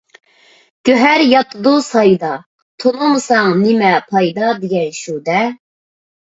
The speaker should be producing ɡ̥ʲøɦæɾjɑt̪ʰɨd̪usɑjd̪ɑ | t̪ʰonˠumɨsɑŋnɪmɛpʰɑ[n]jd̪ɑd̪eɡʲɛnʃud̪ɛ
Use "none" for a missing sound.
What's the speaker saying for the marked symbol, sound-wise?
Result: none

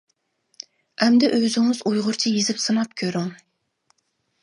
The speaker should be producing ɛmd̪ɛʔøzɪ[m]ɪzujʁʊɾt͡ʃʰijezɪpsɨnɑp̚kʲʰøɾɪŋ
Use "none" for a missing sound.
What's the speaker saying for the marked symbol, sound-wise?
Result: ŋ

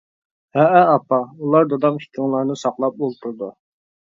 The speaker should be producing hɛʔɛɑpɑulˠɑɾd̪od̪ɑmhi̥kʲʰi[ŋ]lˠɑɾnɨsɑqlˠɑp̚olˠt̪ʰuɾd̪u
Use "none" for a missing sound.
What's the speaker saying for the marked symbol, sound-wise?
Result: ŋ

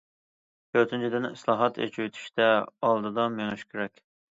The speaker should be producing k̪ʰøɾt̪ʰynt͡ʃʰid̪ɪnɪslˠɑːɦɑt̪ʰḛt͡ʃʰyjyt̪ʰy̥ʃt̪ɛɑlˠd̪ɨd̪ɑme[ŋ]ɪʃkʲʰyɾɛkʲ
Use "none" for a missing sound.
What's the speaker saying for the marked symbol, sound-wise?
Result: ŋ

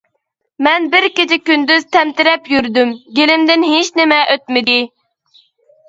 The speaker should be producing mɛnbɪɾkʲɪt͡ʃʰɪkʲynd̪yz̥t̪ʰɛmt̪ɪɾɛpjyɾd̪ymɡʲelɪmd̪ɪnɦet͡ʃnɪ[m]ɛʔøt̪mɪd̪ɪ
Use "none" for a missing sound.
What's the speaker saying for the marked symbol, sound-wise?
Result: m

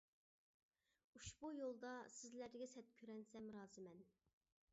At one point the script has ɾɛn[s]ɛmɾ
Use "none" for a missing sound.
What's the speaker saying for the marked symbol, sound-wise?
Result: s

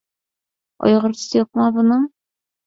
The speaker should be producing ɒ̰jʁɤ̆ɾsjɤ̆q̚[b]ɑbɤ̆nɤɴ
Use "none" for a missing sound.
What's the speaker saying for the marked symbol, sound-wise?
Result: m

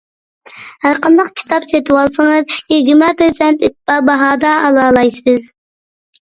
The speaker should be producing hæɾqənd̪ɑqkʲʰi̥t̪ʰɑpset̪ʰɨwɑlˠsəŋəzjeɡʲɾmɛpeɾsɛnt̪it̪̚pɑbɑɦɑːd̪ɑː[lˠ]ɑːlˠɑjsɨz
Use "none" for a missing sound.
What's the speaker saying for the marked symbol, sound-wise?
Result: lˠ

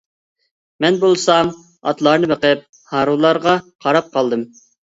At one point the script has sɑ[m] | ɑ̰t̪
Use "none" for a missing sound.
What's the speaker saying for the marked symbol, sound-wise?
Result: m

